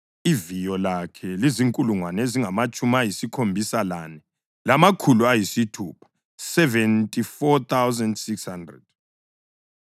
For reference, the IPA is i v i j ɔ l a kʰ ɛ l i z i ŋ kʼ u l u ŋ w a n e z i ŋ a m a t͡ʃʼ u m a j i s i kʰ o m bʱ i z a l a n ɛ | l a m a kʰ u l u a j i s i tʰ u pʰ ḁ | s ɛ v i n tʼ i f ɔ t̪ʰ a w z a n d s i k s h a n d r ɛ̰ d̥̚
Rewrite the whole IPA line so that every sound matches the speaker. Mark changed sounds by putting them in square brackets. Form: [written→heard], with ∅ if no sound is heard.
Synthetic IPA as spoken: i v i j ɔ l a kʰ ɛ l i z i ŋ kʼ u l u ŋ w a n e z i ŋ a m a t͡ʃʼ u m a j i s i kʰ o m bʱ i [z→s] a l a n ɛ | l a m a kʰ u l u a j i s i tʰ u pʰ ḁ | s ɛ v [i→ɛ] n tʼ i f ɔ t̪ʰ a w z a n d s i k s h a n d r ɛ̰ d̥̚